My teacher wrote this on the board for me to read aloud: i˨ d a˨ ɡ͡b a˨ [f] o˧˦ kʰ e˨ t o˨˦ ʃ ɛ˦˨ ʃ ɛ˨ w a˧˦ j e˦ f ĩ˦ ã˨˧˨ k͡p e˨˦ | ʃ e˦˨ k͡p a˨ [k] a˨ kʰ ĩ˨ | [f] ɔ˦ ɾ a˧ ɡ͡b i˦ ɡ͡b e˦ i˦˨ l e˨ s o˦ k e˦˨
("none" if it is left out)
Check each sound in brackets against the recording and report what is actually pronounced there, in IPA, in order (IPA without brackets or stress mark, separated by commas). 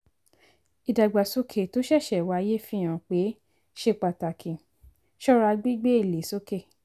s, t, ʃ